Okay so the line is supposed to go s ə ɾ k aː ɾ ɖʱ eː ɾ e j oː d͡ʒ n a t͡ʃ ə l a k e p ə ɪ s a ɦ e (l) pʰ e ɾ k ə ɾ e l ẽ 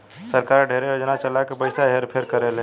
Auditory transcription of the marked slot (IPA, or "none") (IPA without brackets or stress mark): ɾ